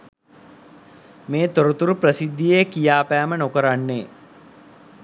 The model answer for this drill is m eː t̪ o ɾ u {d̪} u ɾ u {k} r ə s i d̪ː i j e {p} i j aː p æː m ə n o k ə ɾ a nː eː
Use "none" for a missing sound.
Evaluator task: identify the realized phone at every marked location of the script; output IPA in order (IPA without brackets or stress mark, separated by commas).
t̪, p, k